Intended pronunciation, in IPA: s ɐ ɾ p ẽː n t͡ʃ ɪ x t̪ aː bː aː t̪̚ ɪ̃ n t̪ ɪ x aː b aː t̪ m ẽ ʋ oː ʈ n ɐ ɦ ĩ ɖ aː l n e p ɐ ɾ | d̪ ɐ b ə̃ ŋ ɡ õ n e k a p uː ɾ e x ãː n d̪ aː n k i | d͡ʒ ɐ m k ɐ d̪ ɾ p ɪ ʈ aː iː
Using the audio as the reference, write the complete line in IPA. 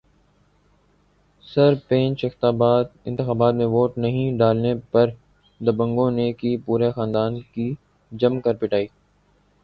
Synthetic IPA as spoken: s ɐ ɾ p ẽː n t͡ʃ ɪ x t̪ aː b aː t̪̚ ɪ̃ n t̪ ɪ x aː b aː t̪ m ẽ ʋ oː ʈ n ɐ ɦ ĩ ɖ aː l n e p ɐ ɾ | d̪ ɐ b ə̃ ŋ ɡ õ n e k i p uː ɾ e x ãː n d̪ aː n k i | d͡ʒ ɐ m k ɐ ɾ p ɪ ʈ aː iː